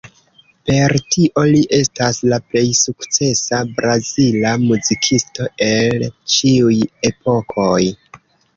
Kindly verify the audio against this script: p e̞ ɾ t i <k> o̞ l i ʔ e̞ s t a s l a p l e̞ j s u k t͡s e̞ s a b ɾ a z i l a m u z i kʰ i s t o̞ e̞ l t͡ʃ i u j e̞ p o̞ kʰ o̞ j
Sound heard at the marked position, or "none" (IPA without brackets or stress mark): ʔ